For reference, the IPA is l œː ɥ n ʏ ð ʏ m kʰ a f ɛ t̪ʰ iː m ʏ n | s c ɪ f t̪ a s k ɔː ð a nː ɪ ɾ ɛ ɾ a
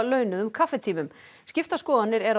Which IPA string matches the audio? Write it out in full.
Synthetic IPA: l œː ɥ n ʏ ð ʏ m kʰ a f ɛ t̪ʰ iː m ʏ m | s c ɪ f t̪ a s k ɔː ð a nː ɪ ɾ ɛ ɾ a

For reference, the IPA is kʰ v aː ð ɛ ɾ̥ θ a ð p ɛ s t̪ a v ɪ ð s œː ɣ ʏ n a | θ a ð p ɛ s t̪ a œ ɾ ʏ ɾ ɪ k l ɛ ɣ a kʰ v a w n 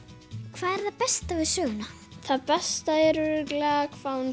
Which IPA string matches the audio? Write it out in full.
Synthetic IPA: kʰ v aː ð ɛ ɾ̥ θ a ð p ɛ s t̪ a v ɪ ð s œː ɣ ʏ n a | θ a ð p ɛ s t̪ a ɛ ɾ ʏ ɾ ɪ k l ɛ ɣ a kʰ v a w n

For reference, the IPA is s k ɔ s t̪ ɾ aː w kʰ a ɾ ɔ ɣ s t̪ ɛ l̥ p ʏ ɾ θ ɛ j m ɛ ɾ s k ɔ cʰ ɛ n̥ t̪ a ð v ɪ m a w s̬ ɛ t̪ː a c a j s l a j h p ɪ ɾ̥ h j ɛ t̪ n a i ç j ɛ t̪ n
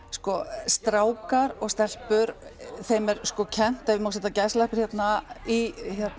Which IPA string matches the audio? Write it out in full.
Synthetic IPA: s k ɔ s t̪ ɾ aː w k a ɾ ɔ ɣ s t̪ ɛ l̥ p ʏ ɾ θ e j m ɛ ɾ s k ɔ cʰ ɛ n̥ t̪ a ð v ɪ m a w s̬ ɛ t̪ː a c a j s l a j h p ɪ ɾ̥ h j ɛ t̪ n a i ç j ɛ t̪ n

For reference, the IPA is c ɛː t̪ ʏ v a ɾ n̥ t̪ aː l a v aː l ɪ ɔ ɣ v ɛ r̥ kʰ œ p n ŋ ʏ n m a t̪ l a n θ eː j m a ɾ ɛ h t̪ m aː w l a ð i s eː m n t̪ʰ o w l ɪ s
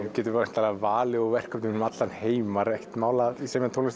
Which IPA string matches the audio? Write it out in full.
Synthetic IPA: c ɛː t̪ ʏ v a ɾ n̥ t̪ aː l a v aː l ɪ ɔ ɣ v ɛ r̥ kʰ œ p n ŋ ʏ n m a t̪ l a n h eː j m a ɾ ɛ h t̪ m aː w l a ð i s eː m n t̪ʰ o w l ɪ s

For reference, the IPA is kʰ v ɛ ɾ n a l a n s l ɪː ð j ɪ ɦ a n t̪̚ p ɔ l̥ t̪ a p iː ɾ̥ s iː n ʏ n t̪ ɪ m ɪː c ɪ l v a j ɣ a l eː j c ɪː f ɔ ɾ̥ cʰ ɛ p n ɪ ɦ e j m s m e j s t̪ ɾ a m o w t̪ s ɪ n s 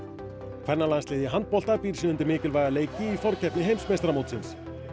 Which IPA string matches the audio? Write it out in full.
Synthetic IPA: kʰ v ɛ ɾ n a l a n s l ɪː ð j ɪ ɦ a n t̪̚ p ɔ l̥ t̪ a p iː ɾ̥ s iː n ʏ n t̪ ɪ m ɪː c ɪ l v a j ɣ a l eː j c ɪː f ɔ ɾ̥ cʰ ɛ p n ɪ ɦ e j m s m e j s t̪ ɾ a m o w t̪ s ɪ n s

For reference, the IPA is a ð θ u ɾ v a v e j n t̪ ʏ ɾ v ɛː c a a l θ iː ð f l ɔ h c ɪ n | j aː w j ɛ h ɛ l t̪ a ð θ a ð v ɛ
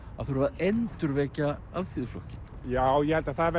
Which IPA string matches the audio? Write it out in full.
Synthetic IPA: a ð θ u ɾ v a ð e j n t̪ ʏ ɾ v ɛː c a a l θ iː ð f l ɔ h c ɪ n | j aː w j ɛ h ɛ l t̪ a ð θ a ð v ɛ

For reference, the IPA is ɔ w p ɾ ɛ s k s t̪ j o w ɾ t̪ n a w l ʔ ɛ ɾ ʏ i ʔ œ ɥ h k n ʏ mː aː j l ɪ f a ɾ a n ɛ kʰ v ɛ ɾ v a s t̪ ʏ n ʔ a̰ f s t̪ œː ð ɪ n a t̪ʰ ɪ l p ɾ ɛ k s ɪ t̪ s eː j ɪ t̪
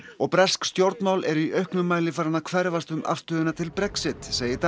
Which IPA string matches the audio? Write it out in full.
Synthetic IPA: ɔ ɣ p ɾ ɛ s k s t̪ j o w ɾ t̪ n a w l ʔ ɛ ɾ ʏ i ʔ œ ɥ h k n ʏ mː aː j l ɪ f a ɾ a n a kʰ v ɛ ɾ v a s t̪ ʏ m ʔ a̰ f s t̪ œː ð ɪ n a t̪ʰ ɪ l p ɾ ɛ k s ɪ t̪ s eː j ɪ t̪

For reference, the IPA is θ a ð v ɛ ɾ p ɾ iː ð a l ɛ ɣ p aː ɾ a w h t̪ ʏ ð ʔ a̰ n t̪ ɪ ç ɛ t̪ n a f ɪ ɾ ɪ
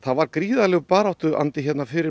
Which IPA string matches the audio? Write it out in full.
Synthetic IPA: θ a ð v a ɾ k ɾ iː ð a l ɛ ɣ p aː ɾ a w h t̪ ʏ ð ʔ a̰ n t̪ ɪ ç ɛ t̪ n a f ɪ ɾ ɪ

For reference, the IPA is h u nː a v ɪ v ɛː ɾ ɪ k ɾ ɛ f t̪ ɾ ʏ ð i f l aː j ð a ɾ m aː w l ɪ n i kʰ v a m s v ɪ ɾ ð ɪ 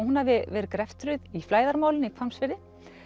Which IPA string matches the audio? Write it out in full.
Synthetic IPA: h u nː a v ɪ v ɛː ɾ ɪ k ɾ ɛ f t̪ ɾ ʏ ð i f l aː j ð a ɾ m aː w l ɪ n i kʰ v a m s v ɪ ɾ ð ɪ

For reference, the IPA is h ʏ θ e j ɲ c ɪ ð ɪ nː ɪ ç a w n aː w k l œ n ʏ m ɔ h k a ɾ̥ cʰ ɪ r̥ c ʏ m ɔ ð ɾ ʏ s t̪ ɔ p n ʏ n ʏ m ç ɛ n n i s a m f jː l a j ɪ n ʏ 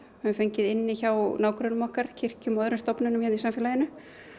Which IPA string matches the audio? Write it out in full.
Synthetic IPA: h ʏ f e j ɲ c ɪ ð ɪ nː ɪ ç a w n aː w k ɾ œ n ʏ m ɔ h k a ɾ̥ cʰ ɪ r̥ c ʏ m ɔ ð ɾ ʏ s t̪ ɔ p n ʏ n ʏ m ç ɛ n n i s a m f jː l a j ɪ n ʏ

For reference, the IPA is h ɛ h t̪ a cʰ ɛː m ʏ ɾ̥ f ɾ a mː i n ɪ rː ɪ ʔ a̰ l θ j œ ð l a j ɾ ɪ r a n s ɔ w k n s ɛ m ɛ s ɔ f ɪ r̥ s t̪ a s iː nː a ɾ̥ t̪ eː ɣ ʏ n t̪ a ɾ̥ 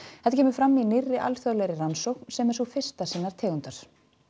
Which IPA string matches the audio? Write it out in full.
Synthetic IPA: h ɛ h t̪ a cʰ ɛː m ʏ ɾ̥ f ɾ a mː i n ɪ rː ɪ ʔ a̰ l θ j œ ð l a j ɾ ɪ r a n s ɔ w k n s ɛ m ɛ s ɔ f ɪ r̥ s t̪ a s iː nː a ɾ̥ t̪ʰ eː ɣ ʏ n t̪ a ɾ̥

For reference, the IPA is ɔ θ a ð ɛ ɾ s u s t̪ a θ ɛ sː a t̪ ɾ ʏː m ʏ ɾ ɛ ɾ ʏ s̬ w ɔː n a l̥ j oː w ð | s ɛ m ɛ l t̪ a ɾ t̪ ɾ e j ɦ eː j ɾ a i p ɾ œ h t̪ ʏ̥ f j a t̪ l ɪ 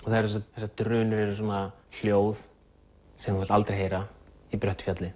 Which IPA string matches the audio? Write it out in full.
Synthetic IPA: ɔ θ a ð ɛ ɾ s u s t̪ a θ ɛ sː a t̪ ɾ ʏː n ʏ ɾ ɛ ɾ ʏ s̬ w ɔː n a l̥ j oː w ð | s ɛ m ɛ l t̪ a l t̪ ɾ e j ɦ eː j ɾ a i p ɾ œ h t̪ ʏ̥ f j a t̪ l ɪ

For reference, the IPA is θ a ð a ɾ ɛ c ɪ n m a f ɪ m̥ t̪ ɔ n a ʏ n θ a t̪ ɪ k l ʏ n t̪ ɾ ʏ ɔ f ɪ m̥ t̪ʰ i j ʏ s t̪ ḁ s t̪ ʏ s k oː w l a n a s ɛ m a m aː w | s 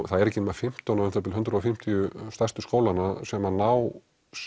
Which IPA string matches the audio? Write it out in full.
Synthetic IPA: θ a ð ɛ ɾ ɛ c ɪ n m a f ɪ m̥ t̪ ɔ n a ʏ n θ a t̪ ɪ l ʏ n t̪ ɾ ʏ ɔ f ɪ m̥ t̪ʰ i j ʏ s t̪ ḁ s t̪ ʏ s k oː w l a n a s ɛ m a n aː w | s

